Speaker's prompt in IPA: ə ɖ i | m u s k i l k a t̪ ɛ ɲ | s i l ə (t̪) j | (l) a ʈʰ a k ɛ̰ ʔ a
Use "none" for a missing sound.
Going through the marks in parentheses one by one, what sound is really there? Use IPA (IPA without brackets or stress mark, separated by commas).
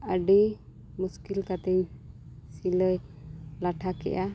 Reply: none, l